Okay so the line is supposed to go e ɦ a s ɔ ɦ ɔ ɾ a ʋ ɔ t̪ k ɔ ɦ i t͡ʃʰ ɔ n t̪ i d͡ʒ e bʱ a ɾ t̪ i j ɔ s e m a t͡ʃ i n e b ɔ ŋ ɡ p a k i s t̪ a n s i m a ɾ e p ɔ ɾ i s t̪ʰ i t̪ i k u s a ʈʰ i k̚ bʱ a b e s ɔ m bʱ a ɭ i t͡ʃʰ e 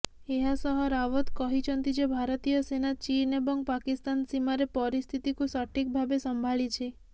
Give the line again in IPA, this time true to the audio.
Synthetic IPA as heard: e ɦ a s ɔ ɦ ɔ ɾ a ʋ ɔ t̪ k ɔ ɦ i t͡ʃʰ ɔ n t̪ i d͡ʒ e bʱ a ɾ t̪ i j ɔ s e n a t͡ʃ i n e b ɔ ŋ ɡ p a k i s t̪ a n s i m a ɾ e p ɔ ɾ i s t̪ʰ i t̪ i k u s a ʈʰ i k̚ bʱ a b e s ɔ m bʱ a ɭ i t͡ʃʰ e